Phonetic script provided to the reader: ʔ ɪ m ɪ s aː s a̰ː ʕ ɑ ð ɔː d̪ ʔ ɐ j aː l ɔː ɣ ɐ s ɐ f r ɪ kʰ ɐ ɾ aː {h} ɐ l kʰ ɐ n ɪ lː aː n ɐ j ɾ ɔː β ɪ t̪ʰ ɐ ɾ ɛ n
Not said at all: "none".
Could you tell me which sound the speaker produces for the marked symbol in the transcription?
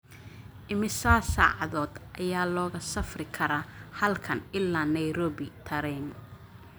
h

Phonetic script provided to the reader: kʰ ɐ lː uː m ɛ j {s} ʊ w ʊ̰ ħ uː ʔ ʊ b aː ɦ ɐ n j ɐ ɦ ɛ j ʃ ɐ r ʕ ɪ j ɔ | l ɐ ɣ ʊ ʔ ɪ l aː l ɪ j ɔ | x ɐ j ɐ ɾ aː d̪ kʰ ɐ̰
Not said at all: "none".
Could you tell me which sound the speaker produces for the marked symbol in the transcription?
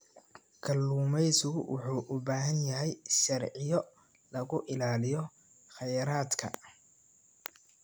s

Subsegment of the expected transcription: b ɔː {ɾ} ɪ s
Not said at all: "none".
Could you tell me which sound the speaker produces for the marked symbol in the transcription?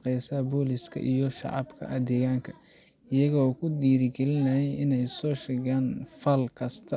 l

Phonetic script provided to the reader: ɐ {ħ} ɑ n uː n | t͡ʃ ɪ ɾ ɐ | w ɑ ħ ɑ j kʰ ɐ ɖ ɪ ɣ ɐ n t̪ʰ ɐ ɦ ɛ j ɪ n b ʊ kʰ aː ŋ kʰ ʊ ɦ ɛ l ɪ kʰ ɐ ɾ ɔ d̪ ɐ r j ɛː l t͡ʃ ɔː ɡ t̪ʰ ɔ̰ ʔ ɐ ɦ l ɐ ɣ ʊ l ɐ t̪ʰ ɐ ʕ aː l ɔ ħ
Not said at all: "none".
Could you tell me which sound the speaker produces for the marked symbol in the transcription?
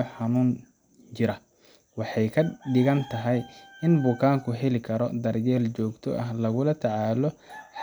ħ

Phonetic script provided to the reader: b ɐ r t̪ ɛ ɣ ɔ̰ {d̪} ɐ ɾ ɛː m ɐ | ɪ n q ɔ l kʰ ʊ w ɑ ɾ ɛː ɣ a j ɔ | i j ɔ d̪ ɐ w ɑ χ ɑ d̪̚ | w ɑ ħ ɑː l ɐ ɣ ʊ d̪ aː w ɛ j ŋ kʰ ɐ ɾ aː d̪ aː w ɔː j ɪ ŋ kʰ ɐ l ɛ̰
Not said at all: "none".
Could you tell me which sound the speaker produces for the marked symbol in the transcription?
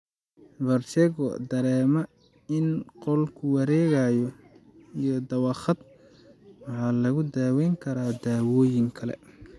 d̪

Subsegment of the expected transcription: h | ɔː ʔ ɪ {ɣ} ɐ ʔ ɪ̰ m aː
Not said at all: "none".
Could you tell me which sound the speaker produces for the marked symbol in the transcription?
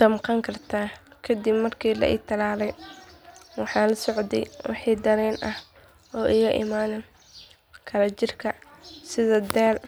ɣ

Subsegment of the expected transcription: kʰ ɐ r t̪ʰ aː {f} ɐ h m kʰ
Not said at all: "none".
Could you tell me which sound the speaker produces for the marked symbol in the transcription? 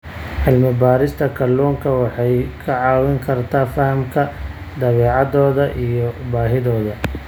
f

